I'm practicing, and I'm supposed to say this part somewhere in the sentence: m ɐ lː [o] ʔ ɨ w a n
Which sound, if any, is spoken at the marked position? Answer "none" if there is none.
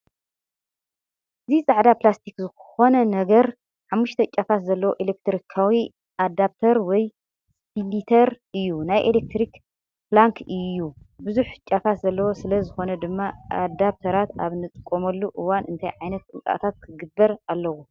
u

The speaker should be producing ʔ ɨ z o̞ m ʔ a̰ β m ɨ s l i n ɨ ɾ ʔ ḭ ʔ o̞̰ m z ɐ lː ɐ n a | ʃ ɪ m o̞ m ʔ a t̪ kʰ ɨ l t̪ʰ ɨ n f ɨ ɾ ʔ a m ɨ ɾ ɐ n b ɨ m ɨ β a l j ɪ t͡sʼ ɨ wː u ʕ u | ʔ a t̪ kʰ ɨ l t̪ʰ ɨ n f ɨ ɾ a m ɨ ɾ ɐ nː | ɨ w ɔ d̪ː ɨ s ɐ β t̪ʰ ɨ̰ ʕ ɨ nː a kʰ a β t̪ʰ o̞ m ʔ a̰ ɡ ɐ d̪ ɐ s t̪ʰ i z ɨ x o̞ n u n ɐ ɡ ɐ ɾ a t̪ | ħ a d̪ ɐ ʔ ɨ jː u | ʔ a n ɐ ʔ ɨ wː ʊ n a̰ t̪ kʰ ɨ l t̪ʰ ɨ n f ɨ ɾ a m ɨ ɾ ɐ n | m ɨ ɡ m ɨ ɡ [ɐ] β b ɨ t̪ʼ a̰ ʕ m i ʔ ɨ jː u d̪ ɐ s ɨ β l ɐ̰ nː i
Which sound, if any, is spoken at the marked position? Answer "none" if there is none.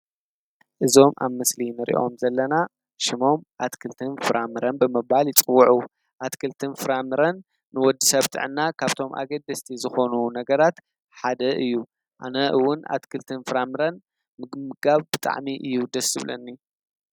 a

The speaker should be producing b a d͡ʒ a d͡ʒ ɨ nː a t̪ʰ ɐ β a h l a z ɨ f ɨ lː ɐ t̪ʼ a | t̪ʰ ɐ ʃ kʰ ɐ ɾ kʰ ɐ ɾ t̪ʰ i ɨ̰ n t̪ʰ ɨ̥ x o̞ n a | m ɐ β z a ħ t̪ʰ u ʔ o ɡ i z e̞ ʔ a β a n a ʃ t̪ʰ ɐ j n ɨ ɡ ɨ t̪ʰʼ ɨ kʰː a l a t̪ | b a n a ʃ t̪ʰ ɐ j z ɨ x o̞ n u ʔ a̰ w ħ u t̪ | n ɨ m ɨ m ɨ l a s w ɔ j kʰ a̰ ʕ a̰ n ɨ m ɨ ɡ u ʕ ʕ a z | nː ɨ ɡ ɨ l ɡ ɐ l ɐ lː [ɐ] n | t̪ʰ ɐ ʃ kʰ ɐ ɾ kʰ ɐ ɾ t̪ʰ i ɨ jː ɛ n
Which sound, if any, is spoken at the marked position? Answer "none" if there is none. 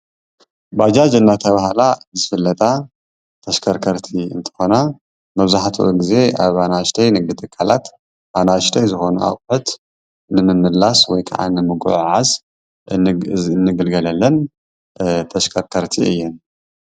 ɐ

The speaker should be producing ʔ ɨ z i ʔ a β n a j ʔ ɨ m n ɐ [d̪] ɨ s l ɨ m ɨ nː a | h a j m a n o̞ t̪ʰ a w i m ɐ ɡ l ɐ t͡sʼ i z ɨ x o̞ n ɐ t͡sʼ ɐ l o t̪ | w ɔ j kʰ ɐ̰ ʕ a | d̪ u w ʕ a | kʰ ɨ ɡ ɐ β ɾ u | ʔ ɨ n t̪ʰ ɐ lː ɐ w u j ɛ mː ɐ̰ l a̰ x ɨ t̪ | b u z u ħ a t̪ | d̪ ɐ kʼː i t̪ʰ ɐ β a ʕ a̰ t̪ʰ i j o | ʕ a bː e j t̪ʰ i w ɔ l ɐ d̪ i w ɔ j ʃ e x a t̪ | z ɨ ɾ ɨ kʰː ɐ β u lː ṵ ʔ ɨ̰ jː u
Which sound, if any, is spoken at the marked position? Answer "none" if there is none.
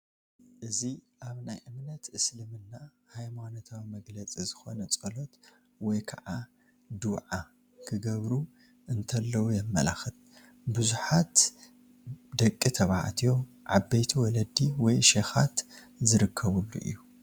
t̪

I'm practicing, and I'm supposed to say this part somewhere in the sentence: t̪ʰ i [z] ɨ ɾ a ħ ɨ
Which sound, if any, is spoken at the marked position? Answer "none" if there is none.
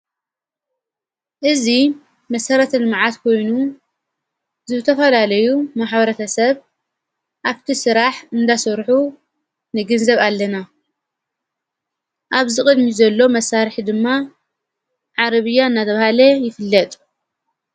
s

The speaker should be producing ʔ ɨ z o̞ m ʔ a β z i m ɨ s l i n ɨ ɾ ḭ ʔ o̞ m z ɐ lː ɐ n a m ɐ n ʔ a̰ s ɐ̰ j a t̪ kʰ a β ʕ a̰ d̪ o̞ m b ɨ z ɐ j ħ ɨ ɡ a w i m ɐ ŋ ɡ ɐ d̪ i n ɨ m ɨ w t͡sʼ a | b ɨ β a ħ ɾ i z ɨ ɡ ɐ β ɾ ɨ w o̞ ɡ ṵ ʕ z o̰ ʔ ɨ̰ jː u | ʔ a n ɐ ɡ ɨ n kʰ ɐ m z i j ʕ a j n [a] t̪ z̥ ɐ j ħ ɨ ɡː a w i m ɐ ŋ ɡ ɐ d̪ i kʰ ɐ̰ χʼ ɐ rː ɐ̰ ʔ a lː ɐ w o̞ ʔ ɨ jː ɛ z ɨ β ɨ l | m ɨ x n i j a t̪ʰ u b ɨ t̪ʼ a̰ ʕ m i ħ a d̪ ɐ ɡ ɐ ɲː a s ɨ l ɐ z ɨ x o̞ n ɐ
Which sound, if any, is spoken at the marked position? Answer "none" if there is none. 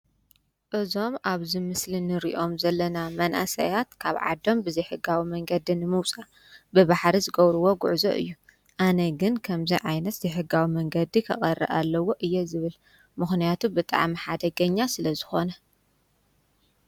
ɐ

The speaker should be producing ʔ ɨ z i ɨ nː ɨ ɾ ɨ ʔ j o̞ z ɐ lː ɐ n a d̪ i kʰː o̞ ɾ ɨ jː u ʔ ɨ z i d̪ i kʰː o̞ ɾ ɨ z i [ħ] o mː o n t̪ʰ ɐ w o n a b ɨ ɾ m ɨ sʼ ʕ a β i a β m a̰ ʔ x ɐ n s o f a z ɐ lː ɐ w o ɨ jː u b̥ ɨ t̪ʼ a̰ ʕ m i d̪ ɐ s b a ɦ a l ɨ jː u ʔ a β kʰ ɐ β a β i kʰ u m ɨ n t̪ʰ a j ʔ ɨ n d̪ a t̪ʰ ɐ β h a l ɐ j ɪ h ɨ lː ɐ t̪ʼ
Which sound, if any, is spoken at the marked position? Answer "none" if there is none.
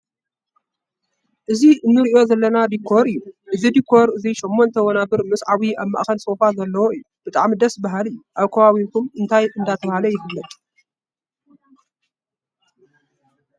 ʃ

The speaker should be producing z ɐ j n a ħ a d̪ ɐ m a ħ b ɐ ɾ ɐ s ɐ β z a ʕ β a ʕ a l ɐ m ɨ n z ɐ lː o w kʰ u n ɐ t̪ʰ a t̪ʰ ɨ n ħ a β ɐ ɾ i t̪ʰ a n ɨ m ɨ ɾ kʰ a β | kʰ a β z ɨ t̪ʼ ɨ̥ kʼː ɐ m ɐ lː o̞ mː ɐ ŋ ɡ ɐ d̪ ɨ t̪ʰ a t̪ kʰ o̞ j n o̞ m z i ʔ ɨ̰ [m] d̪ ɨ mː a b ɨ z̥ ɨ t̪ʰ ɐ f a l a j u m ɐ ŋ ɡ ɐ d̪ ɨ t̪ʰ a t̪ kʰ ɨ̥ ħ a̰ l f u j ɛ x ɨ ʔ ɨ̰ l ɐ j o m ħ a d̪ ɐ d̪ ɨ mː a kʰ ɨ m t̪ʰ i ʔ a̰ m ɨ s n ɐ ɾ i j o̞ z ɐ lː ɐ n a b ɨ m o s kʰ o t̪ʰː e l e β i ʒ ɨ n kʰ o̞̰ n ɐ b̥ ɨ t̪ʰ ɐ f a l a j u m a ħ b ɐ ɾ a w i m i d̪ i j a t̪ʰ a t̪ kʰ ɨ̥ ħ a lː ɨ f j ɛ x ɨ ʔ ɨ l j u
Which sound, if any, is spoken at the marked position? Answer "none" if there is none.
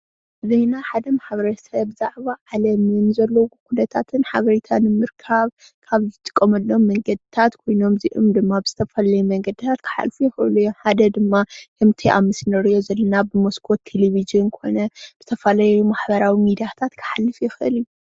m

